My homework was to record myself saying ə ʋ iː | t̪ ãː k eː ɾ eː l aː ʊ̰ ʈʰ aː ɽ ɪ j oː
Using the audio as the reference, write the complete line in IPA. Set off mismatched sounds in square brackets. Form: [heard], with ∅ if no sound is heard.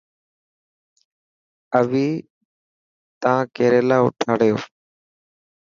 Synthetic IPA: ə ʋ iː | t̪ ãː k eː ɾ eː l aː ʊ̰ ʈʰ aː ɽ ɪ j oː